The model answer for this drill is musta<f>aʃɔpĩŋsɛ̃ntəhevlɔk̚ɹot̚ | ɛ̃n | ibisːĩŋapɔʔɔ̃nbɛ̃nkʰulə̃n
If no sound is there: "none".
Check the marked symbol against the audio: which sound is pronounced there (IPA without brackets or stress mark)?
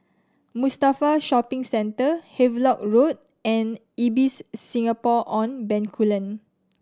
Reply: f